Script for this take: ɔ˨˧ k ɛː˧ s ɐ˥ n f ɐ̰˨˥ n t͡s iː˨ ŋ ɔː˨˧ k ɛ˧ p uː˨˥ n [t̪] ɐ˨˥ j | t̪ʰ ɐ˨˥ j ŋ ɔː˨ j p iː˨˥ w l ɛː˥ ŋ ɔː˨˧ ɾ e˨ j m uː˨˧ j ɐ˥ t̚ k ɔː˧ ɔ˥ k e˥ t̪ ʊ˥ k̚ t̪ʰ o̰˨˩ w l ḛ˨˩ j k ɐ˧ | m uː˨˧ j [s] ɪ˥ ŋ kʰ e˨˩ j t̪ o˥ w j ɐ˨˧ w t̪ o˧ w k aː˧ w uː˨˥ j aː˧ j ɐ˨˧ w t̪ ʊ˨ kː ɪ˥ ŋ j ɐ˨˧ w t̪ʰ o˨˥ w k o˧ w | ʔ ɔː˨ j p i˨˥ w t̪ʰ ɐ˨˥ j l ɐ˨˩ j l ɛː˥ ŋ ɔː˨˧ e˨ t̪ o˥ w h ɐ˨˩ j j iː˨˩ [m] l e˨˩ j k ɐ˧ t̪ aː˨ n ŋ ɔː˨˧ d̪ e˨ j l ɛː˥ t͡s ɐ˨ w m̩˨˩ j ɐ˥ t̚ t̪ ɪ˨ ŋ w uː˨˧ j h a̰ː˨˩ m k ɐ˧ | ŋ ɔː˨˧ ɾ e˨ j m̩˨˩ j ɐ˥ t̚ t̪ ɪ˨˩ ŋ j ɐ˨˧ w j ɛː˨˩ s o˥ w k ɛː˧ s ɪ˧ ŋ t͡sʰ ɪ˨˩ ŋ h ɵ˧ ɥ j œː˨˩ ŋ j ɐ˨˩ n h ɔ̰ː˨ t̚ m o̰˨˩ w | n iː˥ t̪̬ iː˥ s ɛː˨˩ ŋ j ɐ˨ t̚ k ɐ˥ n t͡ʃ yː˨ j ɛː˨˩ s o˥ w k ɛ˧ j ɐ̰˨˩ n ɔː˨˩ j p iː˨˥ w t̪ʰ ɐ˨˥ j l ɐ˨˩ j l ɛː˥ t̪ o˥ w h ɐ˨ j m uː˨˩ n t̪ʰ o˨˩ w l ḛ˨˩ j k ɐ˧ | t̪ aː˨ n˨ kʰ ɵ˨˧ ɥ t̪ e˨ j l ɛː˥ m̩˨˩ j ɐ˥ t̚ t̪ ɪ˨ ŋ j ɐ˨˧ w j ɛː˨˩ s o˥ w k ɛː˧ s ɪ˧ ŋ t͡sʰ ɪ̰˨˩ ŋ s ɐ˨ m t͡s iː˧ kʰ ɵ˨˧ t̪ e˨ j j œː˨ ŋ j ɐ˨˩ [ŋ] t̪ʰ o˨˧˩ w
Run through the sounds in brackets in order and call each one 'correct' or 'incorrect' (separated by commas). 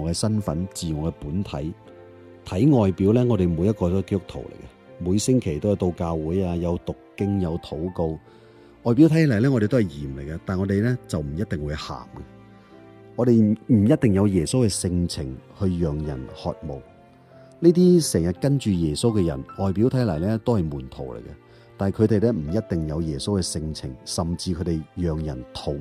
incorrect, correct, correct, incorrect